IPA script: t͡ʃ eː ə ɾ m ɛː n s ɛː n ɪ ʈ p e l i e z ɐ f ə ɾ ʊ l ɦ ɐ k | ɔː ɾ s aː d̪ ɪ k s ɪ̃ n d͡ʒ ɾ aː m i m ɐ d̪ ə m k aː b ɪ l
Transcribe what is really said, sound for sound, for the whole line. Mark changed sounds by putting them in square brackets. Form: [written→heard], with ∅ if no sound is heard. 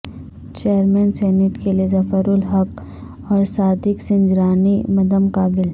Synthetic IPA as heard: t͡ʃ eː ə ɾ m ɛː n s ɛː n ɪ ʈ [p→k] e l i e z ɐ f ə ɾ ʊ l ɦ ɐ k | ɔː ɾ s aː d̪ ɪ k s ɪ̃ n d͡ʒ ɾ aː [m→n] i m ɐ d̪ ə m k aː b ɪ l